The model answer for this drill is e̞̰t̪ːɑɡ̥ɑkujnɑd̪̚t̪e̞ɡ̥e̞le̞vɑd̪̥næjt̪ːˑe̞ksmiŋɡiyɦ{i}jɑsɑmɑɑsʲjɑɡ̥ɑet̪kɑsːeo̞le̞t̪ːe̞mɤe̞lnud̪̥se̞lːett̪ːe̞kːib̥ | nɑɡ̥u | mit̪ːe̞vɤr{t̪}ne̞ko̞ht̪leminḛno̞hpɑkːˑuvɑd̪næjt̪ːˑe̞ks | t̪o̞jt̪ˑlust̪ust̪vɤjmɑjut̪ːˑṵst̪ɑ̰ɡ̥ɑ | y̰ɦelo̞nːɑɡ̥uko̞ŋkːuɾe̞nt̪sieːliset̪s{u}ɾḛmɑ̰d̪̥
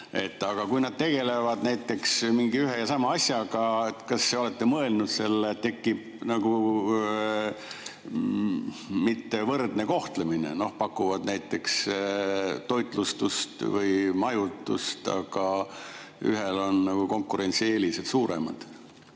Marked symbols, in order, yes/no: no, no, no

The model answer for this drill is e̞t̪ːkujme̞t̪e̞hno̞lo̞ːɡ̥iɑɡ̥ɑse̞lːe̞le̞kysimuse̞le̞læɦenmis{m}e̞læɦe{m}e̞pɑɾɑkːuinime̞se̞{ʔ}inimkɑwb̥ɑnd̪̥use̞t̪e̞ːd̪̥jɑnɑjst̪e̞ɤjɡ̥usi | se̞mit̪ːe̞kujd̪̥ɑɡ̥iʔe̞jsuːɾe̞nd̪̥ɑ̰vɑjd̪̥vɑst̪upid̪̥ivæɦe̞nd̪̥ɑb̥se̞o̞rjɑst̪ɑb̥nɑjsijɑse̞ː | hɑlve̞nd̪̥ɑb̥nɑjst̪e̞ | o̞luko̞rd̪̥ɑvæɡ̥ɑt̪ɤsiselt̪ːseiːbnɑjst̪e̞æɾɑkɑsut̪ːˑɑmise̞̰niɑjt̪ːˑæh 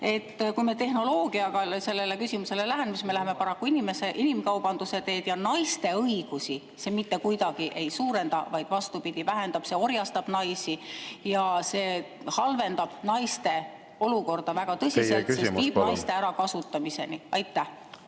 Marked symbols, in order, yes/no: yes, yes, yes

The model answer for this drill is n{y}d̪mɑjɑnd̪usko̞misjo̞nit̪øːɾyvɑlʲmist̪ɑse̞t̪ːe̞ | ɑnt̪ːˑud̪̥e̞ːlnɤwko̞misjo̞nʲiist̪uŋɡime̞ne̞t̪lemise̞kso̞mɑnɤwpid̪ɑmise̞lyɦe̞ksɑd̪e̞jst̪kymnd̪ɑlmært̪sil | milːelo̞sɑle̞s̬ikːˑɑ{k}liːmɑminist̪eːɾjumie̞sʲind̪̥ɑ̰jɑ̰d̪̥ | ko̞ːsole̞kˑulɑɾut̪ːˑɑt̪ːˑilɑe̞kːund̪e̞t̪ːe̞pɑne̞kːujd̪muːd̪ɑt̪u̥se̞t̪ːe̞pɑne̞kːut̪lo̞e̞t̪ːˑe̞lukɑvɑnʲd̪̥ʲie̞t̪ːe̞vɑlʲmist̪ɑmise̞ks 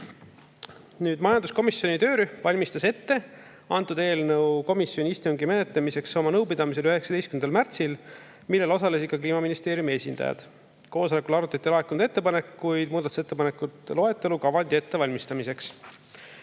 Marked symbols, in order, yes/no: no, yes

